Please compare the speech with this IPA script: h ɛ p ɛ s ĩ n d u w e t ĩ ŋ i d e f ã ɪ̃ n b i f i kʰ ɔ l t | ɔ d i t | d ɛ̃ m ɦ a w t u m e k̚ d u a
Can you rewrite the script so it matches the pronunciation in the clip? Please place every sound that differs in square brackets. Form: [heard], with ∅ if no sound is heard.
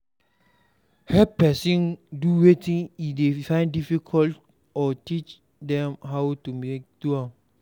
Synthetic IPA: h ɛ p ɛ s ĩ n d u w e t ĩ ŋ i d e f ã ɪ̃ n [d] i f i kʰ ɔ l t | ɔ [t] i [t͡ʃ] | d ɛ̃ m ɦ a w t u m e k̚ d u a